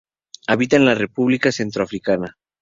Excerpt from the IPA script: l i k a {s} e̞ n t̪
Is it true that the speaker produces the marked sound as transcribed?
yes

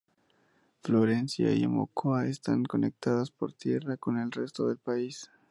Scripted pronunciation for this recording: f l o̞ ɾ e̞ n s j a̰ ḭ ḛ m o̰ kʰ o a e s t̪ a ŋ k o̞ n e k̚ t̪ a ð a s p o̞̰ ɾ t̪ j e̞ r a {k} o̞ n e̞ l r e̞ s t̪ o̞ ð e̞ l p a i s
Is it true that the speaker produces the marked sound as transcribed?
yes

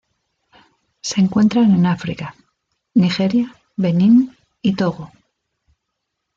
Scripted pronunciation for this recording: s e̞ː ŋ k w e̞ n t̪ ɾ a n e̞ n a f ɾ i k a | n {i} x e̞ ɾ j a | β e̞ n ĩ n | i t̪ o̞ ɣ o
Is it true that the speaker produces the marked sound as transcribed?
yes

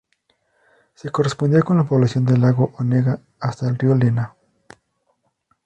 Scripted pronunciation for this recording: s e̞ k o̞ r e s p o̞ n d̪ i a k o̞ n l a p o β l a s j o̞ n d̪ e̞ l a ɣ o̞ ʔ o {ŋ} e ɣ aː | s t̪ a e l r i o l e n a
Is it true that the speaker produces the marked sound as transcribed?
no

